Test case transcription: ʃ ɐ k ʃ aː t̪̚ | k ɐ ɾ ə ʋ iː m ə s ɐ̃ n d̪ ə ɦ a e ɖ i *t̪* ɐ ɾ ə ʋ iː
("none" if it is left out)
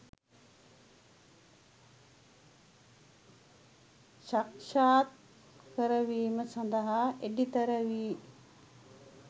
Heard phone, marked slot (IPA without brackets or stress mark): t̪